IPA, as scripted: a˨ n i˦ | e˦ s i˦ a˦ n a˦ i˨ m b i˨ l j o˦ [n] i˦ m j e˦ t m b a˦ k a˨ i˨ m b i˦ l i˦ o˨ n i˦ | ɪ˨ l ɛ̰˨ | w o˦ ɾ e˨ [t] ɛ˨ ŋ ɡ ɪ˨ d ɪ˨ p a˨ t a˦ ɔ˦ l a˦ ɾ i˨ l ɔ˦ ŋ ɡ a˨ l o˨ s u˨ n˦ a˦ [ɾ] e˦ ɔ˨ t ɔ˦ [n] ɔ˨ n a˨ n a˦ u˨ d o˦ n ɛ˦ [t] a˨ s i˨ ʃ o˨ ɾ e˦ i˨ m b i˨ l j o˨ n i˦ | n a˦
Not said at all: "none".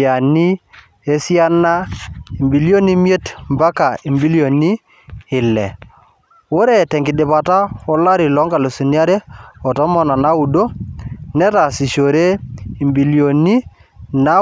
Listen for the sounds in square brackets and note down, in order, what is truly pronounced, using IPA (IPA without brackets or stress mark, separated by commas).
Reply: n, t, ɾ, m, t